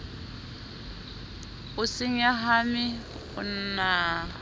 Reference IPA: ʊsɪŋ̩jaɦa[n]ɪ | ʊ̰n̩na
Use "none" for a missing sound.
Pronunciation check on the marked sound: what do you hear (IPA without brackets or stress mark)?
m